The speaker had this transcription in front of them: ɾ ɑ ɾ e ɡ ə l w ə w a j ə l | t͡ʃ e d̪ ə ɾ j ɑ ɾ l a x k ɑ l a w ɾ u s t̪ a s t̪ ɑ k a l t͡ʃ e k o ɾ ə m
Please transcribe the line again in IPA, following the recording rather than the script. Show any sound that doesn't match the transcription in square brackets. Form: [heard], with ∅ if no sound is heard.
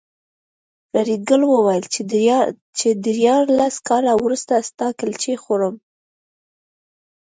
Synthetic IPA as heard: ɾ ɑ ɾ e ɡ ə l w ə w a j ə l | t͡ʃ e d̪ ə ɾ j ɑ ɾ l a [s] k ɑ l a w ɾ u s t̪ a s t̪ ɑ k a l t͡ʃ e [x] o ɾ ə m